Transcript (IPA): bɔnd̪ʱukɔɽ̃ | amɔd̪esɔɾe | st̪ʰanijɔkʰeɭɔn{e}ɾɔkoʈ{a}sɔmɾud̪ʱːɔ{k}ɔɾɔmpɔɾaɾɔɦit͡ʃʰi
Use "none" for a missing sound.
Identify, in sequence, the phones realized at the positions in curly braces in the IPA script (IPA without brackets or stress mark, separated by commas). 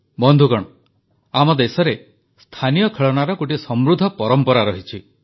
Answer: a, i, p